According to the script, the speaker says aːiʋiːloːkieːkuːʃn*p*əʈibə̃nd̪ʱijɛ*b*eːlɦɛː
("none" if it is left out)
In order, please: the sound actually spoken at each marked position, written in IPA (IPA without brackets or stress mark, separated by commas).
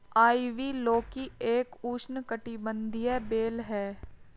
k, b